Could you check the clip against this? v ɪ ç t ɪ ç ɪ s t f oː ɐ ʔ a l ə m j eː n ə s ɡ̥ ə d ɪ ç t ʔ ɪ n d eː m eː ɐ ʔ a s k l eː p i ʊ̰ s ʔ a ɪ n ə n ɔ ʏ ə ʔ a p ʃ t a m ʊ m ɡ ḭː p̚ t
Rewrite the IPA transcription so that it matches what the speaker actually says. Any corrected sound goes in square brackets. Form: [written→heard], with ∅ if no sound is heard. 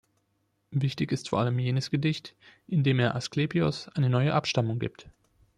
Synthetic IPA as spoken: v ɪ ç t ɪ ç ɪ s t f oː ɐ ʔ a l ə m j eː n ə s ɡ̥ ə d ɪ ç t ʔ ɪ n d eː m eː ɐ ʔ a s k l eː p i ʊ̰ s ʔ a ɪ n ə n ɔ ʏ ə ʔ a p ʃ t a m ʊ [m→ŋ] ɡ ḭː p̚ t